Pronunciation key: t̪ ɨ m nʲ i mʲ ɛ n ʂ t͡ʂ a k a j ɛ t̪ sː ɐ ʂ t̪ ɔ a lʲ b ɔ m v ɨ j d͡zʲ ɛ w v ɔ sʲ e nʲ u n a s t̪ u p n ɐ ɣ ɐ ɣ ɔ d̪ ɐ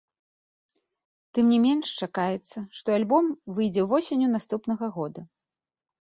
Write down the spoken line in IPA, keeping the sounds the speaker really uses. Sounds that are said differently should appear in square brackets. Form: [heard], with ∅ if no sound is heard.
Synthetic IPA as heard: t̪ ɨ m nʲ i mʲ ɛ n ʂ t͡ʂ a k a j ɛ t̪ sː ɐ ʂ t̪ ɔ a lʲ b ɔ m v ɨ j d͡zʲ ɛ w v ɔ sʲ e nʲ u n a s t̪ u p n ɐ ɣ ɐ ɣ ɔ d̪ ɐ